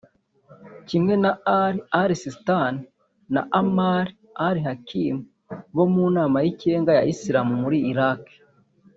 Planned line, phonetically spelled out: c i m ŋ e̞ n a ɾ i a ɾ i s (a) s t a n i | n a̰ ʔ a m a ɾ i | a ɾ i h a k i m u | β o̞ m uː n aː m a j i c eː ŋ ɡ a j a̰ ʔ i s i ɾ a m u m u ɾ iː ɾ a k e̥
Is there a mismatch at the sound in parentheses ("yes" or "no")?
yes